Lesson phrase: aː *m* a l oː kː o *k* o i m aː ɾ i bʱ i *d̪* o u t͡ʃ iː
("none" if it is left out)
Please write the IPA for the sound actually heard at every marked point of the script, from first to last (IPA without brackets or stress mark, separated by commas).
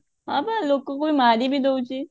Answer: b, k, d̪